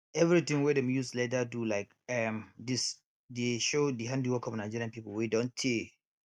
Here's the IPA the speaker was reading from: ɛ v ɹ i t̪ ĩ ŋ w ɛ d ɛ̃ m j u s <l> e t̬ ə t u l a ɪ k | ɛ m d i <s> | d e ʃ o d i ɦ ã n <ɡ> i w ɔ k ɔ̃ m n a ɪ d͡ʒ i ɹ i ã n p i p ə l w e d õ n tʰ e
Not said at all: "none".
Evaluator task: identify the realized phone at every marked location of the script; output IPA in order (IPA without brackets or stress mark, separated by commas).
l, s, d